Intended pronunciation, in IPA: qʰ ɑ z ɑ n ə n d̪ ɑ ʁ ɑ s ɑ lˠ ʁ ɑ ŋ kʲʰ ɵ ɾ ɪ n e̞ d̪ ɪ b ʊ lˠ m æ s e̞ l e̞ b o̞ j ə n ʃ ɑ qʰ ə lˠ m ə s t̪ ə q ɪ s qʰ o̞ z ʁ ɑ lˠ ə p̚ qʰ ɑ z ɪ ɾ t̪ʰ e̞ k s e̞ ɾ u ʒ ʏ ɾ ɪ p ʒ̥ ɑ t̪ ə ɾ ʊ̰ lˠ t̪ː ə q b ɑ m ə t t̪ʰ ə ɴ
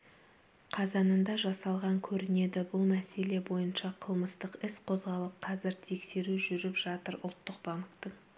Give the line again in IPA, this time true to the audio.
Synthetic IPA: qʰ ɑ z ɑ n ə n d̪ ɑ ʒ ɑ s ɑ lˠ ʁ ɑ ŋ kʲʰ ɵ ɾ ɪ n e̞ d̪ ɪ b ʊ lˠ m æ s e̞ l e̞ b o̞ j ə n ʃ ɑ qʰ ə lˠ m ə s t̪ ə q ɪ s qʰ o̞ z ʁ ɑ lˠ ə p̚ qʰ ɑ z ɪ ɾ t̪ʰ e̞ k s e̞ ɾ u ʒ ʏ ɾ ɪ p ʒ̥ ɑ t̪ ə ɾ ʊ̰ lˠ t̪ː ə q b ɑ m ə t t̪ ə ɴ

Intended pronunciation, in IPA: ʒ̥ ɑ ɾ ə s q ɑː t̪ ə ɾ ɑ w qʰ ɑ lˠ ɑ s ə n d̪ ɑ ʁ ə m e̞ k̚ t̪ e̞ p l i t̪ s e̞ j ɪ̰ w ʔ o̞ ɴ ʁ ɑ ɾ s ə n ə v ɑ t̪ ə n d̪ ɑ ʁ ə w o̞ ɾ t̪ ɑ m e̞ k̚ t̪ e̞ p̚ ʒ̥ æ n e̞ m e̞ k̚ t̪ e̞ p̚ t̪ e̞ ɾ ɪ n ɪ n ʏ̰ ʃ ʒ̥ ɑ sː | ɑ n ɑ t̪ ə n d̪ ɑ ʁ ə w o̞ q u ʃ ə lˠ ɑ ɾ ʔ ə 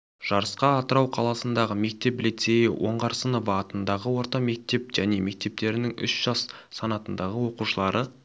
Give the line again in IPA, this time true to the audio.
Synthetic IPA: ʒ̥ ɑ ɾ ə s q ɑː t̪ ə ɾ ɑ w qʰ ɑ lˠ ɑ s ə n d̪ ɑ ʁ ə m e̞ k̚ t̪ e̞ p l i t̪ s e̞ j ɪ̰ w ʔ o̞ ɴ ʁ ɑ ɾ s ə n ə v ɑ t̪ ə n d̪ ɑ ʁ ə w o̞ ɾ t̪ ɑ m e̞ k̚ t̪ e̞ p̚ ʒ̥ æ n e̞ m e̞ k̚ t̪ e̞ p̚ t̪ e̞ ɾ ɪ n ɪ ŋ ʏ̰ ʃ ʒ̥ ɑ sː | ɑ n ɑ t̪ ə n d̪ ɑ ʁ ə w o̞ q u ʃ ə lˠ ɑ ɾ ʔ ə

